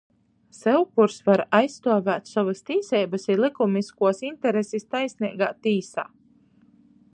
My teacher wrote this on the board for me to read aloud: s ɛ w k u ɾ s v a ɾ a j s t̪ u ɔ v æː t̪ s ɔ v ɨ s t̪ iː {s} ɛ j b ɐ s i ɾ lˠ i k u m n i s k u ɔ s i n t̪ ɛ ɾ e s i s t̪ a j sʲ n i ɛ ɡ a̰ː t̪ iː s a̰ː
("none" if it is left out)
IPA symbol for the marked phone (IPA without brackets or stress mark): s